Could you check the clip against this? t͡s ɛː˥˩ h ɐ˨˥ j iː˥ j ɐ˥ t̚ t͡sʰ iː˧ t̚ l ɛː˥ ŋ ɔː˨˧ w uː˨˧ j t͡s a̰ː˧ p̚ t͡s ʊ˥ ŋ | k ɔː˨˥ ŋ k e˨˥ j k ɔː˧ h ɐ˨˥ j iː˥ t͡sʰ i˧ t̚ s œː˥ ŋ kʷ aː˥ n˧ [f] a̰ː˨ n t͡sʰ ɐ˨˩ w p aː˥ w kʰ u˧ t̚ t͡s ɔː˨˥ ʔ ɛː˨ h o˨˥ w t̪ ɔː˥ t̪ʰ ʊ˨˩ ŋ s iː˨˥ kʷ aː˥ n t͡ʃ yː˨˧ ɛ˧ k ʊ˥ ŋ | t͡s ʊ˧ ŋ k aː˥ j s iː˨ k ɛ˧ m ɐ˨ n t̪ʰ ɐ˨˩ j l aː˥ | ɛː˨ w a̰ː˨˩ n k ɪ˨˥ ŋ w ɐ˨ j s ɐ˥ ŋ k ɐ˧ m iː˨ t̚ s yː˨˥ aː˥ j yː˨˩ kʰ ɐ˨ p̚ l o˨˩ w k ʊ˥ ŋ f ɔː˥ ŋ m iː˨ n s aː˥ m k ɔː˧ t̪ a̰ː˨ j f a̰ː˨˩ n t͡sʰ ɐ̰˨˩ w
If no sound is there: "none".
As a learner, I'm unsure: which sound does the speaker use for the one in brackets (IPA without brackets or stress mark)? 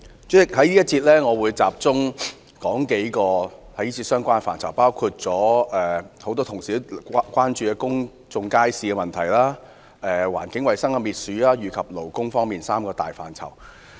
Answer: f